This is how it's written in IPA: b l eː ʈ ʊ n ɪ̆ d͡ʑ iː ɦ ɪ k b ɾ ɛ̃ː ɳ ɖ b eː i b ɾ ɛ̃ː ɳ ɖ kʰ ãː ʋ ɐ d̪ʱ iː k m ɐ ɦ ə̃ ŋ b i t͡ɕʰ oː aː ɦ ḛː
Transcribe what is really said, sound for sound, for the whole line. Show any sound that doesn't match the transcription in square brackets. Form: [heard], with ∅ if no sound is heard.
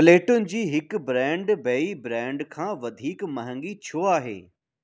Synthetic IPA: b l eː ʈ ʊ n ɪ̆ d͡ʑ iː ɦ ɪ k b ɾ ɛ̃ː ɳ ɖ b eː i b ɾ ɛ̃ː ɳ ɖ kʰ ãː ʋ ɐ d̪ʱ iː k m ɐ ɦ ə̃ ŋ [ɡ] i t͡ɕʰ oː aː ɦ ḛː